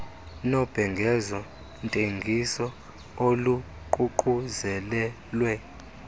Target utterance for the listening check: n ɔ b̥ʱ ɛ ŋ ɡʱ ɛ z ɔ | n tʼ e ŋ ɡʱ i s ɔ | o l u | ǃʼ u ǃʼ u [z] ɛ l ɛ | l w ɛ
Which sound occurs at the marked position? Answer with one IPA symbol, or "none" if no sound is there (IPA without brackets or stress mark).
z